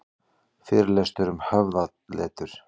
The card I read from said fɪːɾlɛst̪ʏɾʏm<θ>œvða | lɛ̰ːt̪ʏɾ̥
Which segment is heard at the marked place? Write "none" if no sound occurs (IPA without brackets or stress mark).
h